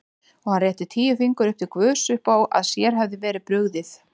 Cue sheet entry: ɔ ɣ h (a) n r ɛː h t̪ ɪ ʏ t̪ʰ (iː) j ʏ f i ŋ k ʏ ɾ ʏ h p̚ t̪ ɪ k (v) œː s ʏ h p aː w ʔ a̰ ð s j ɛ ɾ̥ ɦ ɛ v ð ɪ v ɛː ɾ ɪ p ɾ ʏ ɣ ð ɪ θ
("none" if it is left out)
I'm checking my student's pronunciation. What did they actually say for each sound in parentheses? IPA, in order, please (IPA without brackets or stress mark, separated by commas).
a, iː, v